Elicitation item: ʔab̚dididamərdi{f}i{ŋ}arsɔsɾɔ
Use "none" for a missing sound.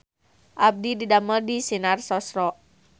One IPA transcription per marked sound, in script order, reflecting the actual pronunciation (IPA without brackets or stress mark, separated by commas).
s, n